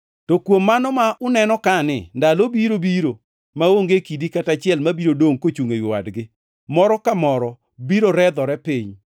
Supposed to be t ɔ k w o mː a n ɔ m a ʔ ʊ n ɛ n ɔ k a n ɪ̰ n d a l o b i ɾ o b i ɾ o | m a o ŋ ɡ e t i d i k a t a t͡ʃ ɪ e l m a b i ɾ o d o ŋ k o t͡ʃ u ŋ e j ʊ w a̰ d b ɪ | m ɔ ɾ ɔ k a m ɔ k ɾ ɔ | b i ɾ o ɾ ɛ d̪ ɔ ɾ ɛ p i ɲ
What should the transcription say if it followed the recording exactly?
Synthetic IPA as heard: t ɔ k w o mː a n ɔ m a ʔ ʊ n ɛ n ɔ k a n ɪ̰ n d a l o b i ɾ o b i ɾ o | m a o ŋ ɡ e k i d i k a t a t͡ʃ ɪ ɛ l m a b i ɾ o d o ŋ k o t͡ʃ u ŋ e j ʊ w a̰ d ɡ ɪ | m ɔ ɾ ɔ k a m ɔ ɾ ɔ | b i ɾ o ɾ ɛ d̪ ɔ ɾ ɛ p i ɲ